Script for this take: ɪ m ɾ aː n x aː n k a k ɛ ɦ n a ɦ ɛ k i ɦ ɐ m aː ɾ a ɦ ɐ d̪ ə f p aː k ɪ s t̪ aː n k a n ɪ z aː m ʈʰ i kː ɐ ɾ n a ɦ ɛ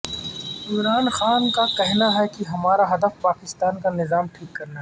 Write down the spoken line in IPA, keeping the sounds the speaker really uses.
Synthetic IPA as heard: ɪ m ɾ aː n x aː n k a k ɛ ɦ n a ɦ ɛ k i ɦ ɐ m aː ɾ a ɦ ɐ d̪ ə f p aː k ɪ s t̪ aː n k a n ɪ z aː m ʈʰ iː kː ɐ ɾ n a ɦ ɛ